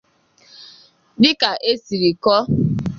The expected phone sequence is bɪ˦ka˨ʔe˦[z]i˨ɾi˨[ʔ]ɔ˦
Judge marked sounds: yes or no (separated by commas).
no, no